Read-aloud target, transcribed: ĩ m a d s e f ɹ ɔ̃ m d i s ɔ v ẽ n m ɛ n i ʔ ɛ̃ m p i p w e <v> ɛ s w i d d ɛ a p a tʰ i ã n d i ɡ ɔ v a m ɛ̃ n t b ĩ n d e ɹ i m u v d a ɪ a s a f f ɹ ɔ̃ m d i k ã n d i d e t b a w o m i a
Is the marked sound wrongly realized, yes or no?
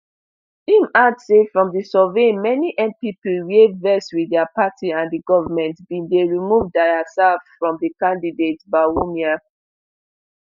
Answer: no